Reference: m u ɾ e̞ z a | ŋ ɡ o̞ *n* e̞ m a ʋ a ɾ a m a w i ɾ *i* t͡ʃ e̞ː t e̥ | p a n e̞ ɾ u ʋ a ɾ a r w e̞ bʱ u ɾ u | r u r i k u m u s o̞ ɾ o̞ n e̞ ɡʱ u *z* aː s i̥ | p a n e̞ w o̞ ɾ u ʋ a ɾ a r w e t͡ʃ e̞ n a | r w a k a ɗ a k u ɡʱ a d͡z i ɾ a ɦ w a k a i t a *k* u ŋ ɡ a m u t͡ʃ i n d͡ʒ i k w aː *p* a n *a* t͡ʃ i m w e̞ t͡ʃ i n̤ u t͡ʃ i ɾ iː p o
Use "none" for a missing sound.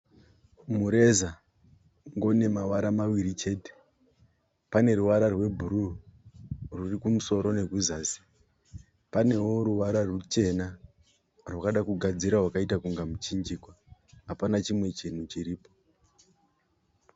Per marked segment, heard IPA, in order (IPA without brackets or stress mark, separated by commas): n, i, z, k, p, a